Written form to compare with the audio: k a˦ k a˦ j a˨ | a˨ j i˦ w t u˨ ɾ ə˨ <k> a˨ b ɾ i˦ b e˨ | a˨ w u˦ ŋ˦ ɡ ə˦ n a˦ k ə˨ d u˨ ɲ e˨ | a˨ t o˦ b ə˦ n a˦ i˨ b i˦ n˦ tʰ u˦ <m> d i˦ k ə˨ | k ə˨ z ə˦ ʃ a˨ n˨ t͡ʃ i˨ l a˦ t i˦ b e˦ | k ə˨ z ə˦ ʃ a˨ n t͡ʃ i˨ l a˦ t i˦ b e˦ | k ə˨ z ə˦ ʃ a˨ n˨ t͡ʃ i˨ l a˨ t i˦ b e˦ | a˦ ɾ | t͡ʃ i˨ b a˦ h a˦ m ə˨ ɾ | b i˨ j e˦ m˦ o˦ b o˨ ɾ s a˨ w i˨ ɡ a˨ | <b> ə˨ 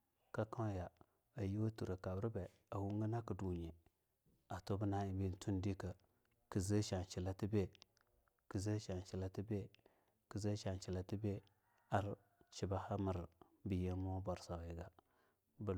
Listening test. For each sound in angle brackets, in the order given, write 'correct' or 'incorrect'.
correct, incorrect: n, correct

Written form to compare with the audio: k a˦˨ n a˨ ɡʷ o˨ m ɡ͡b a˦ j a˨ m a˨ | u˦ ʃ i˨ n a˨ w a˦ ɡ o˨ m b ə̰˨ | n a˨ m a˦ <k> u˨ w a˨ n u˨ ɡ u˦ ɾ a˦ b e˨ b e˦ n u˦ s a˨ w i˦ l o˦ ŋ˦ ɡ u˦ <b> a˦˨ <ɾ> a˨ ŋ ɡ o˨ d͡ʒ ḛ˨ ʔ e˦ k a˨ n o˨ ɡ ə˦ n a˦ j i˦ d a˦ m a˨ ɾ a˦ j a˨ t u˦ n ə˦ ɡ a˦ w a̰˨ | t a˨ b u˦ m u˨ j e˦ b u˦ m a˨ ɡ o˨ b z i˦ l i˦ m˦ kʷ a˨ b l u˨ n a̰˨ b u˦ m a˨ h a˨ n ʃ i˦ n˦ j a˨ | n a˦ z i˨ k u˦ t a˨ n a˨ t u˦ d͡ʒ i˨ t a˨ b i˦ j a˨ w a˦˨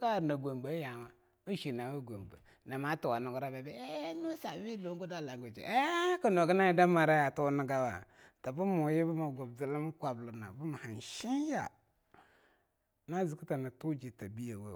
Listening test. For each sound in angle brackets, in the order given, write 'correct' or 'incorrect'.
incorrect: t, incorrect: d, incorrect: l

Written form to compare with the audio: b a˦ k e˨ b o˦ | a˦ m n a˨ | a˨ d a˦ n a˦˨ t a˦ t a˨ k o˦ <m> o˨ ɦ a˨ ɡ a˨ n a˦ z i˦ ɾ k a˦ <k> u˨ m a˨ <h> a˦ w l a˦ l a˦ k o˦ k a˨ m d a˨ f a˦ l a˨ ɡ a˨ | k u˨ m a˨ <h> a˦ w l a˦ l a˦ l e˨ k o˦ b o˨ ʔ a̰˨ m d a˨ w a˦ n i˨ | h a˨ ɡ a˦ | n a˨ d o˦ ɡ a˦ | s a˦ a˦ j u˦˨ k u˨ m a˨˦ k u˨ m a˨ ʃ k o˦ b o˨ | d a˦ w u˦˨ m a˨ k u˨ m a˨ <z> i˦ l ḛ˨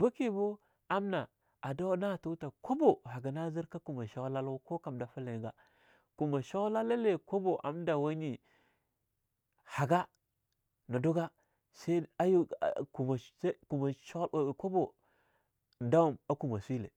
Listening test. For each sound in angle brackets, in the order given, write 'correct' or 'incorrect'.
incorrect: b, correct, incorrect: ʃ, incorrect: ʃ, incorrect: s

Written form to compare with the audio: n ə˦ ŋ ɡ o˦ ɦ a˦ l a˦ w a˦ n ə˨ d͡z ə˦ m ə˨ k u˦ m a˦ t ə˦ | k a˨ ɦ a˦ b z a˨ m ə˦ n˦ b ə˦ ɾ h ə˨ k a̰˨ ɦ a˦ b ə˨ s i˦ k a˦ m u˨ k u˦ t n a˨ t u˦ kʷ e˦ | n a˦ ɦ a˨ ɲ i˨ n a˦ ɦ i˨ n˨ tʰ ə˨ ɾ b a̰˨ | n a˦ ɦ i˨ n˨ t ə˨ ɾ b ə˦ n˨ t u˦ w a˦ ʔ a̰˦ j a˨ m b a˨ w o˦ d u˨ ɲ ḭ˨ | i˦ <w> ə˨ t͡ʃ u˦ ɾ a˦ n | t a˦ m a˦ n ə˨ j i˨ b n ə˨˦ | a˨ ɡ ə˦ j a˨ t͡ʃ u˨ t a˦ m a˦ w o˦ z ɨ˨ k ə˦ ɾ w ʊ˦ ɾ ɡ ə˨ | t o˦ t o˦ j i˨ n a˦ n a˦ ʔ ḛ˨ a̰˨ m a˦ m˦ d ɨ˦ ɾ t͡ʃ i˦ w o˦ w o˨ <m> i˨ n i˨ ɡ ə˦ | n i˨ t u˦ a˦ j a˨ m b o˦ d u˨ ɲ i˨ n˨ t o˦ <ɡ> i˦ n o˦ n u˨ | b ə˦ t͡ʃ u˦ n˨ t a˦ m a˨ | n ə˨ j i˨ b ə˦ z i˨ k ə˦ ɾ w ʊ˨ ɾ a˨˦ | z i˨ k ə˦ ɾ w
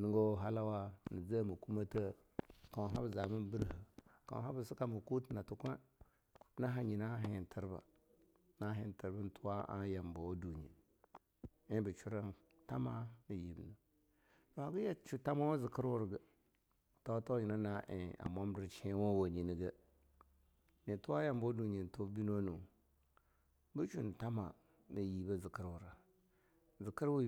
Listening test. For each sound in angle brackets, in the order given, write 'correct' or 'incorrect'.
incorrect: b, incorrect: ɲ, incorrect: b

